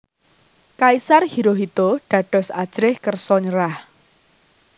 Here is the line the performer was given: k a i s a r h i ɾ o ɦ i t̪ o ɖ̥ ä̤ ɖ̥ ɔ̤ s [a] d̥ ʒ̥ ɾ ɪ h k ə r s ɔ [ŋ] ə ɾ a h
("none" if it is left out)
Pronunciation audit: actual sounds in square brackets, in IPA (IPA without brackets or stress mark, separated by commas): a, ɲ